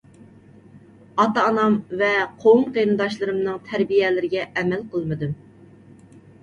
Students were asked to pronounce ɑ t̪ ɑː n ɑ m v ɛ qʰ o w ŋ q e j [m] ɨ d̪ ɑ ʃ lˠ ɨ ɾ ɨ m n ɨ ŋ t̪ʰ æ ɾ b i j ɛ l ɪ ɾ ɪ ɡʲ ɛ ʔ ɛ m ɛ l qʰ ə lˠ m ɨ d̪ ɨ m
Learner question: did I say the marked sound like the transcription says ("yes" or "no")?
no